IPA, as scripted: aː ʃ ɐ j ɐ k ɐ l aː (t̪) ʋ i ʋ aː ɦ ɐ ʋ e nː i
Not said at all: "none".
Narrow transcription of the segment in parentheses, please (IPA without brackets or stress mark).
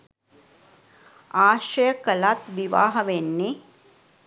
t̪